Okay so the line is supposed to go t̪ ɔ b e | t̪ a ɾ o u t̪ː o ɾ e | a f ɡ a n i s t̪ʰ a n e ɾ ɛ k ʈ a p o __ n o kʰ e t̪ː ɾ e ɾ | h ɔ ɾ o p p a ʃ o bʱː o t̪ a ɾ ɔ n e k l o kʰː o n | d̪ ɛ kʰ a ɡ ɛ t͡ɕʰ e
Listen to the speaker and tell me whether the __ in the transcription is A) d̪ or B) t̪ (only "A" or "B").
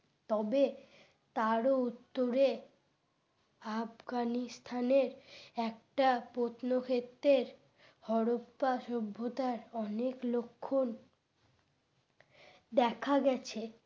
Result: B